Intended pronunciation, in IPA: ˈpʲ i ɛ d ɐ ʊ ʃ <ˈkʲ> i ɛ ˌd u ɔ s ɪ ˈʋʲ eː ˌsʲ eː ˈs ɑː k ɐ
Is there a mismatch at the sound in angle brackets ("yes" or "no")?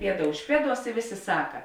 yes